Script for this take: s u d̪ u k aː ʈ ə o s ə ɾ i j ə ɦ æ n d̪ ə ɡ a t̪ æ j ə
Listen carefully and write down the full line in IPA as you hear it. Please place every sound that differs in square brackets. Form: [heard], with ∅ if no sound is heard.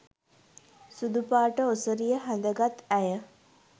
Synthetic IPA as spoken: s u d̪ u [p] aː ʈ ə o s ə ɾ i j ə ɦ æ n d̪ ə ɡ a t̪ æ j ə